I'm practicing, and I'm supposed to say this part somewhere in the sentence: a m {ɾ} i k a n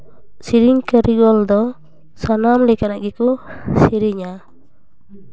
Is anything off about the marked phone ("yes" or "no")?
yes